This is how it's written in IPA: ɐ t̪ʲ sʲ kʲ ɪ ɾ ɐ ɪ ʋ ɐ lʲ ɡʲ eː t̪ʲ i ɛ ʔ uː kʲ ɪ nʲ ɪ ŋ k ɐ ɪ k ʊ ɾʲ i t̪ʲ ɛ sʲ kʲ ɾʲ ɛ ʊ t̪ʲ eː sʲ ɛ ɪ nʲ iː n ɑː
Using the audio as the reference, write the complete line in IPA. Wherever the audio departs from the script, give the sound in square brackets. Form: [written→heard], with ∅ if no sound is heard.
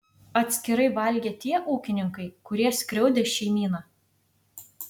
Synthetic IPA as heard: ɐ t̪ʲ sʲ kʲ ɪ ɾ ɐ ɪ ʋ ɐ lʲ ɡʲ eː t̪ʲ i ɛ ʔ uː kʲ ɪ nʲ ɪ ŋ k ɐ ɪ k ʊ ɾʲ i [t̪ʲ→∅] ɛ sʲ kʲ ɾʲ ɛ ʊ [t̪ʲ→d̪ʲ] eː [sʲ→ʃʲ] ɛ ɪ [nʲ→mʲ] iː n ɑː